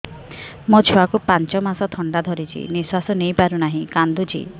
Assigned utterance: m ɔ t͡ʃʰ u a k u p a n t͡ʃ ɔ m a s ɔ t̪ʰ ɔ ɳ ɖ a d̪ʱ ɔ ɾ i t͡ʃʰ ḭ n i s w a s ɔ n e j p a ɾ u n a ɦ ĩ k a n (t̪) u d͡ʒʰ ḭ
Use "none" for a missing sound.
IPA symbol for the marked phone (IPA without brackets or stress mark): d̪